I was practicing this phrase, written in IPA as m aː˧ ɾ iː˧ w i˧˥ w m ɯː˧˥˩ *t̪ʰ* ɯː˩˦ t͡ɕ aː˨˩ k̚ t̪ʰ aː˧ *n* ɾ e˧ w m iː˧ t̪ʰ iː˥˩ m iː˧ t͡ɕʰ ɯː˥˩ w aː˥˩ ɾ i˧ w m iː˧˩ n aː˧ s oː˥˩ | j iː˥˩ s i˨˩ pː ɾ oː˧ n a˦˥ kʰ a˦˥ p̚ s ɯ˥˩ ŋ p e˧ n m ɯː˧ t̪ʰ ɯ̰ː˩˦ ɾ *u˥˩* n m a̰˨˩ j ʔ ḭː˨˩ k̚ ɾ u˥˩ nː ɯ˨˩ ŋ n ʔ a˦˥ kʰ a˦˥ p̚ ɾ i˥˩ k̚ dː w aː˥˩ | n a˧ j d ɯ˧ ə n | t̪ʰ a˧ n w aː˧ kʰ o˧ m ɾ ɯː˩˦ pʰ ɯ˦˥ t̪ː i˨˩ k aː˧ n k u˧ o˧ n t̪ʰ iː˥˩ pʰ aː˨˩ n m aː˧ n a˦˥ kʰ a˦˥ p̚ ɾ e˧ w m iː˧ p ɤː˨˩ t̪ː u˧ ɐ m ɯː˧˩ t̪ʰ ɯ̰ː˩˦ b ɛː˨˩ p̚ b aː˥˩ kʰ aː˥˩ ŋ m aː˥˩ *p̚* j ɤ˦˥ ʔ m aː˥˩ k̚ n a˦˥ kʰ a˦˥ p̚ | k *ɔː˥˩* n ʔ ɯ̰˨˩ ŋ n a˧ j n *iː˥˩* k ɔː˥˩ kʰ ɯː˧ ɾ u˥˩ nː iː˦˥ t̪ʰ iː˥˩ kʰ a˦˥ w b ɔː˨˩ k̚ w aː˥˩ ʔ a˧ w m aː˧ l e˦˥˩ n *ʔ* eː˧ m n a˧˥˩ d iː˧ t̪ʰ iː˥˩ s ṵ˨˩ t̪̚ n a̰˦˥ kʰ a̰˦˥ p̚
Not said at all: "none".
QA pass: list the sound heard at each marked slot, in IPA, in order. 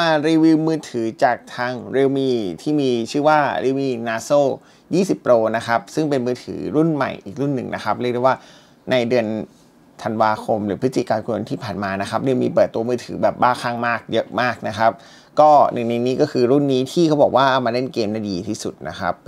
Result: t̪ʰ, ŋ, u˥˩, k̚, ɔː˥˩, iː˦˥, k

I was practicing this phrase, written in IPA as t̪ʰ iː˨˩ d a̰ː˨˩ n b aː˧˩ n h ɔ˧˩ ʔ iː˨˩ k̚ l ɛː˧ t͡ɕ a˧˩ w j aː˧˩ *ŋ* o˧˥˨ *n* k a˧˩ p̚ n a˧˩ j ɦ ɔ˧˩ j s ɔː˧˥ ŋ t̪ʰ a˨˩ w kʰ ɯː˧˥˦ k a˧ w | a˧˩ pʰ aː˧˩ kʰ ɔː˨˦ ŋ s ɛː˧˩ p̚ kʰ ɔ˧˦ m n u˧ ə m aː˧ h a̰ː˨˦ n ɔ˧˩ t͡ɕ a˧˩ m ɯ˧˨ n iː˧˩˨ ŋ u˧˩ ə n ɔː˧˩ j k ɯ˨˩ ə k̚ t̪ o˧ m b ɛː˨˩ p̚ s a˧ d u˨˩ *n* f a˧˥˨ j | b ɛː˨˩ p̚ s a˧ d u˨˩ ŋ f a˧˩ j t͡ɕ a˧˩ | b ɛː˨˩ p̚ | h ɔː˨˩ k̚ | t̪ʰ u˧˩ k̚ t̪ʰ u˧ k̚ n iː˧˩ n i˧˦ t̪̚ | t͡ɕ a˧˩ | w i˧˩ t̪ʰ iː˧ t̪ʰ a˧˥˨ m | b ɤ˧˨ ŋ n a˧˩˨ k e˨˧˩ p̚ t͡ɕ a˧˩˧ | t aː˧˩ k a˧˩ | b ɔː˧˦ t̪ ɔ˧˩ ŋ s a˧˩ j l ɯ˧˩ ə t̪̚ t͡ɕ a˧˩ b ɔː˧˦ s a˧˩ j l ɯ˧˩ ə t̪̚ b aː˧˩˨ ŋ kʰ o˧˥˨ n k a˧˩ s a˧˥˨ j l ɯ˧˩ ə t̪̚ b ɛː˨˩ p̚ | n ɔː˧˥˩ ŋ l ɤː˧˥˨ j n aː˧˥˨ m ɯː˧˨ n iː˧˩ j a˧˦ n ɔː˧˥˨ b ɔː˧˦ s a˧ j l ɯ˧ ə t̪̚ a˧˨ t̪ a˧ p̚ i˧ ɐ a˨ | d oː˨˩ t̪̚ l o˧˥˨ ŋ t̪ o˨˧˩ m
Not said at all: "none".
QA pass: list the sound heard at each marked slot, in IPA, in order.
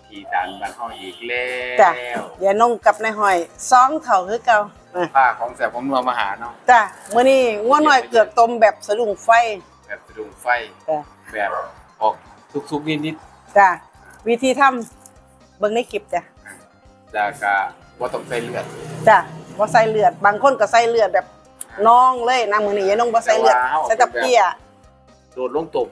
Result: n, ŋ, ŋ

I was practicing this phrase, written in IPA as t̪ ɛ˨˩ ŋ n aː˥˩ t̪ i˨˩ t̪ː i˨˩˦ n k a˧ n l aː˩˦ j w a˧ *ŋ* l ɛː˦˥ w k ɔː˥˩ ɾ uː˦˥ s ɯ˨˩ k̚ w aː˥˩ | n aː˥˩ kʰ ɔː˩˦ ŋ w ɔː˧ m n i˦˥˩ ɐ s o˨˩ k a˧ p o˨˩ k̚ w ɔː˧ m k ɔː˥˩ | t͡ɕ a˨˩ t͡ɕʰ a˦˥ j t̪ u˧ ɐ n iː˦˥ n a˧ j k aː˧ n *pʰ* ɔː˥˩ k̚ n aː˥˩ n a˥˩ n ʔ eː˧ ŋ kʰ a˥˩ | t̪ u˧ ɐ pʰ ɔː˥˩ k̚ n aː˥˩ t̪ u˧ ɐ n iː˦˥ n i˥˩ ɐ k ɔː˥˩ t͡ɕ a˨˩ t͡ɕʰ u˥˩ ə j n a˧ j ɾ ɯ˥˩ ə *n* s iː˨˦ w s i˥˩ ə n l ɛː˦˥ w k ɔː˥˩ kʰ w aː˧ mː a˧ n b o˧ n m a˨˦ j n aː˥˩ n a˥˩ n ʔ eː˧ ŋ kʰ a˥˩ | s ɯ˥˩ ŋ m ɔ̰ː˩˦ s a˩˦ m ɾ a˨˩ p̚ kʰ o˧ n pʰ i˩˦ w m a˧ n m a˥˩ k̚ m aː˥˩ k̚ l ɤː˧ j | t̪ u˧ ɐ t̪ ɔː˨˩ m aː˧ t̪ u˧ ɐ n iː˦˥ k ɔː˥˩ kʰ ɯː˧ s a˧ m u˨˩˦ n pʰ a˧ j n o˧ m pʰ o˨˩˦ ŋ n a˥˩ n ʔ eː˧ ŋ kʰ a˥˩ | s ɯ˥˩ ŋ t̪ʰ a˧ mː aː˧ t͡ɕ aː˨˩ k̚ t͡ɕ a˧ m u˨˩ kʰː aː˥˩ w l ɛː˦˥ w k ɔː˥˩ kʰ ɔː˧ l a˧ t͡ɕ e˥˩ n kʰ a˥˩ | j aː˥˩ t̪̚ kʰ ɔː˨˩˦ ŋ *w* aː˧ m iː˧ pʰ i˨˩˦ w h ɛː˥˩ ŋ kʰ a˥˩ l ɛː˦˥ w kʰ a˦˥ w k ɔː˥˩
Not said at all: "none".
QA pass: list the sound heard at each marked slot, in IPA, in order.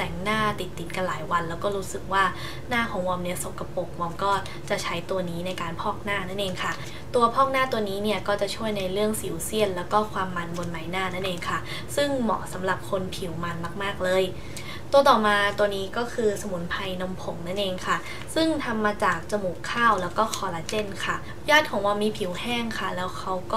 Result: n, pʰ, ŋ, w

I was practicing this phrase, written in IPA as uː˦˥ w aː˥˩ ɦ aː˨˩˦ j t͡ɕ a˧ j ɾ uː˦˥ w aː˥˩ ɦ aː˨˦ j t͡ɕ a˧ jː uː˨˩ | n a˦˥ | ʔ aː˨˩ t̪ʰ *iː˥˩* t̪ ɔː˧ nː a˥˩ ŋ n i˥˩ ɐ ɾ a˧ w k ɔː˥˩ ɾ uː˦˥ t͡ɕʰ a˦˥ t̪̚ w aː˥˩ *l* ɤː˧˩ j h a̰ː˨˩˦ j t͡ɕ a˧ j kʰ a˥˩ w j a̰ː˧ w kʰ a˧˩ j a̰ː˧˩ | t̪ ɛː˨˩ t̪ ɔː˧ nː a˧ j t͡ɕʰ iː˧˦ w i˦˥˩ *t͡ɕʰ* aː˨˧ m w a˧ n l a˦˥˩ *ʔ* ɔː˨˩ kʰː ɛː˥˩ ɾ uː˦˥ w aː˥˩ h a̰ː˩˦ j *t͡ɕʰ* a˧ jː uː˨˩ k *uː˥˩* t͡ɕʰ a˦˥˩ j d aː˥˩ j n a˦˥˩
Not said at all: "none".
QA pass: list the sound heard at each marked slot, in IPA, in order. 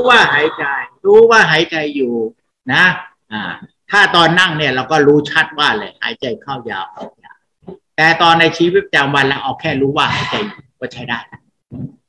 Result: aː˥˩, l, t͡ɕ, ʔ, t͡ɕ, ɔː˥˩

